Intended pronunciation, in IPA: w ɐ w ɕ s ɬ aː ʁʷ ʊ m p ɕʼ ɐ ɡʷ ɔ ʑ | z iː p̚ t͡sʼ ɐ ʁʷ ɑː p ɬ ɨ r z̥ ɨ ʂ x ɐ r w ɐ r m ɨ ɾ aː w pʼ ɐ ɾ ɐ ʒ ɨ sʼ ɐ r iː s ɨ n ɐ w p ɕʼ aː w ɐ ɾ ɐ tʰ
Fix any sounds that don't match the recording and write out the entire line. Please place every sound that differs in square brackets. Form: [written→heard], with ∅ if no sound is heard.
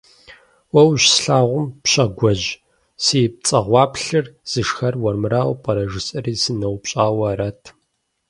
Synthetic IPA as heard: w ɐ w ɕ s ɬ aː ʁʷ ʊ m p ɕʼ ɐ ɡʷ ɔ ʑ | [z→s] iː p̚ t͡sʼ ɐ ʁʷ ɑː p ɬ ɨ r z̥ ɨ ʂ x ɐ r w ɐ r m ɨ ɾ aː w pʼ ɐ ɾ ɐ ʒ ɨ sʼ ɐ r iː s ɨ n ɐ w p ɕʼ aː w ɐ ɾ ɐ tʰ